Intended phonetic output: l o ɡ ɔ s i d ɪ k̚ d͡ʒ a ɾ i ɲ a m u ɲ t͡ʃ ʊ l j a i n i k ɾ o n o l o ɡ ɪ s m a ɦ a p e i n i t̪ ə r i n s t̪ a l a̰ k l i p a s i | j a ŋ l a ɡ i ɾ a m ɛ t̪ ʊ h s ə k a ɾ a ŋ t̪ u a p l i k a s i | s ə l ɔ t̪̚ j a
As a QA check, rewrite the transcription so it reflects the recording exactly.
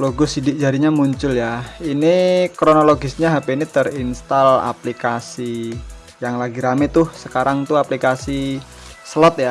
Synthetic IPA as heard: l o ɡ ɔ s i d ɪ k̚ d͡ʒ a ɾ i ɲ a m u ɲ t͡ʃ ʊ l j a i n i k ɾ o n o l o ɡ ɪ s ɲ a ɦ a p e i n i t̪ ə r i n s t̪ a l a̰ p l i k a s i | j a ŋ l a ɡ i ɾ a m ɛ t̪ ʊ h s ə k a ɾ a ŋ t̪ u a p l i k a s i | s ə l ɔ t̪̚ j a